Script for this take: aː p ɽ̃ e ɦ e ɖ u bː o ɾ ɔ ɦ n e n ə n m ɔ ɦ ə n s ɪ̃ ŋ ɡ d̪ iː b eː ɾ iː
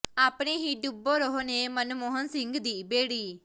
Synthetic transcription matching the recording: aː p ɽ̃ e ɦ i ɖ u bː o ɾ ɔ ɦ n e m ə n m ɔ ɦ ə n s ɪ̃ ŋ ɡ d̪ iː b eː ɽ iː

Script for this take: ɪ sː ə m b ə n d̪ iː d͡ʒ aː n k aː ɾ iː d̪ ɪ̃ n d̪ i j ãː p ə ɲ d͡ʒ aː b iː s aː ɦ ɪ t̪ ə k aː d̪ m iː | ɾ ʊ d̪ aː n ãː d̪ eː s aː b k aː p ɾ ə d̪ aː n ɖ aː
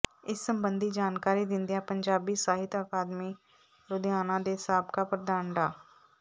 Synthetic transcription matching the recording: ɪ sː ə m b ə n d̪ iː d͡ʒ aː n k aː ɾ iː d̪ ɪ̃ n d̪ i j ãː p ə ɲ d͡ʒ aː b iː s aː ɦ ɪ t̪ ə k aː d̪ m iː | ɾ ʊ d̪ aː n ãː d̪ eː s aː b k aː p ɾ ə d̪ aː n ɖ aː

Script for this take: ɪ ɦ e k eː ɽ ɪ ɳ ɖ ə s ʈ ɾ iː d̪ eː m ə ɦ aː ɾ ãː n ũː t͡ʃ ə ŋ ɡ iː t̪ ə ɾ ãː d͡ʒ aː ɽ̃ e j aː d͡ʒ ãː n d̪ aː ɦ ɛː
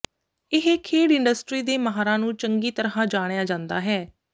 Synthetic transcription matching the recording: ɪ ɦ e kʰ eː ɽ ɪ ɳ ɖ ə s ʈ ɾ iː d̪ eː m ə ɦ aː ɾ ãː n ũː t͡ʃ ə ŋ ɡ iː t̪ ə ɾ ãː d͡ʒ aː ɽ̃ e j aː d͡ʒ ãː n d̪ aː ɦ ɛː

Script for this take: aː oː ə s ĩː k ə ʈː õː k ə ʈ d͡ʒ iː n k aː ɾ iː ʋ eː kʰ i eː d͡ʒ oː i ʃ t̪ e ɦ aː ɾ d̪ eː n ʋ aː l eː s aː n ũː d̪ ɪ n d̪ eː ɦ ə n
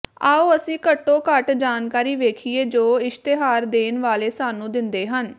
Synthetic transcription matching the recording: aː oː ə s ĩː k ə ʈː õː k ə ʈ d͡ʒ aː n k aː ɾ iː ʋ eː kʰ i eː d͡ʒ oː ɪ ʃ t̪ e ɦ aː ɾ d̪ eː n ʋ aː l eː s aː n ũː d̪ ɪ n d̪ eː ɦ ə n

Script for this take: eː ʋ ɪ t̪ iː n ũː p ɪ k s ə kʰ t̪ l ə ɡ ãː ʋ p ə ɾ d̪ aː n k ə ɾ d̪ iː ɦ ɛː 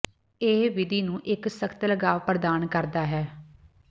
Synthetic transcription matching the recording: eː ʋ ɪ d̪ iː n ũː ʔ ɪ k s ə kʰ t̪ l ə ɡ aː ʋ p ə ɾ d̪ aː n k ə ɾ d̪ aː ɦ ɛː

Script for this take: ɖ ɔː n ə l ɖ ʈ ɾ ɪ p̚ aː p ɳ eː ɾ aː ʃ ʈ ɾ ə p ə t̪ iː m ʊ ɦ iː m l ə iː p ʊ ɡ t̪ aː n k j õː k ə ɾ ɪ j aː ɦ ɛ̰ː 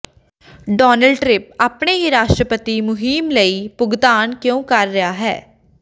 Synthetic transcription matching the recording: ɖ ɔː n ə l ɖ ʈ ɾ ɪ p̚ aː p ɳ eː ɾ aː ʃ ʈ ɾ ə p ə t̪ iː m ʊ ɦ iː m l ə iː p ʊ ɡ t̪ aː n k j õː k ə ɾː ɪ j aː ɦ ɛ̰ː

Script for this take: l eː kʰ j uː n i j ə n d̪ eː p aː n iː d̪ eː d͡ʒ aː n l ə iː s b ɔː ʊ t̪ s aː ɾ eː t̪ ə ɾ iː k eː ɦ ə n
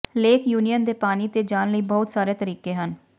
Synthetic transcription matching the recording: l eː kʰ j uː n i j ə n d̪ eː p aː n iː t̪ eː d͡ʒ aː n l ə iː b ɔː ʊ t̪ s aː ɾ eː t̪ ə ɾ iː k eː ɦ ə n

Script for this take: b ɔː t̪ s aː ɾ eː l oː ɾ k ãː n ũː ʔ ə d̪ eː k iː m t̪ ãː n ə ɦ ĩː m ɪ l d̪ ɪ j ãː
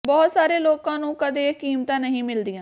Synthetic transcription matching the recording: b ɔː t̪ s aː ɾ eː l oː k ãː n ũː k ə d̪ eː k iː m t̪ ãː n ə ɦ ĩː m ɪ l d̪ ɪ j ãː

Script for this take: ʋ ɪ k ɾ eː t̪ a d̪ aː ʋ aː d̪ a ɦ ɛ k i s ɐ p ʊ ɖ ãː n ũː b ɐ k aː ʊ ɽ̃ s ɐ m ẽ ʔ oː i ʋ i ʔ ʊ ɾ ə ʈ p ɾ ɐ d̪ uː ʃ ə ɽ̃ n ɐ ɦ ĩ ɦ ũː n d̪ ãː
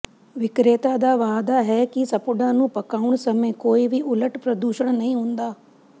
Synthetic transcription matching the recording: ʋ ɪ k ɾ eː t̪ a d̪ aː ʋ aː d̪ a ɦ ɛ k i s ɐ p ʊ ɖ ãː n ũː p ɐ k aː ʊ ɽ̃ s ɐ m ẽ k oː i ʋ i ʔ ʊ l ə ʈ p ɾ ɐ d̪ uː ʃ ə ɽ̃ n ɐ ɦ ĩ ɦ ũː n d̪ aː

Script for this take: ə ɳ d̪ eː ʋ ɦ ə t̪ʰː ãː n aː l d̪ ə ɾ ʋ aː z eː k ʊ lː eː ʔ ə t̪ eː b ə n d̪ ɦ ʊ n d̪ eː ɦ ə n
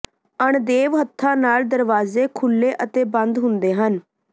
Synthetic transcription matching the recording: ə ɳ d̪ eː ʋ ɦ ə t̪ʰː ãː n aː l d̪ ə ɾ ʋ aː z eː kʰ ʊ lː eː ʔ ə t̪ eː b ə n d̪ ɦ ʊ n d̪ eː ɦ ə n

